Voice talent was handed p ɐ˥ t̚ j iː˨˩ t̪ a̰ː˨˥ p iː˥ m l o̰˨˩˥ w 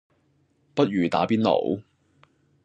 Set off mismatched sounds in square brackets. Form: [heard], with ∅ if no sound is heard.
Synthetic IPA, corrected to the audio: p ɐ˥ t̚ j [yː˨˩] t̪ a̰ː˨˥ p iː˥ [n] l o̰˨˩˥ w